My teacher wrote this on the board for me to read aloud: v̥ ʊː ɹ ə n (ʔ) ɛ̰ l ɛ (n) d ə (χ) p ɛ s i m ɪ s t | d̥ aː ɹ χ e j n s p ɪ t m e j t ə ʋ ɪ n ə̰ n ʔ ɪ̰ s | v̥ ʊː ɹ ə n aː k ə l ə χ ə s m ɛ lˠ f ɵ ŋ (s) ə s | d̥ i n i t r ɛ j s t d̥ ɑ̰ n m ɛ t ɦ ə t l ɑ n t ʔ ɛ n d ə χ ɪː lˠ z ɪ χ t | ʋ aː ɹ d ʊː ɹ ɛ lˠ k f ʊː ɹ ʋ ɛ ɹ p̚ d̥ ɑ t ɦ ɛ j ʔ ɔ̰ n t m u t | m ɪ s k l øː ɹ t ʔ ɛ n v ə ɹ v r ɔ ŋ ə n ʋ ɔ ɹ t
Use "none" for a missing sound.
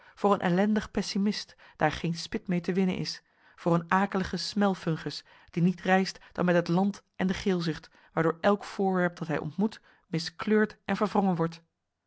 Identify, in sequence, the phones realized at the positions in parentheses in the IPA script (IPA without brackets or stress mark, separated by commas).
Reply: ʔ, n, χ, χ